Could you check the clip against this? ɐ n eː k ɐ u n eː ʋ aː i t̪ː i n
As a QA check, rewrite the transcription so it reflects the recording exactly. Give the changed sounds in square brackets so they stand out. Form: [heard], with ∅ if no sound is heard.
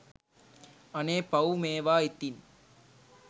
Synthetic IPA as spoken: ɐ n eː [p] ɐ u [m] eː ʋ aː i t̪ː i n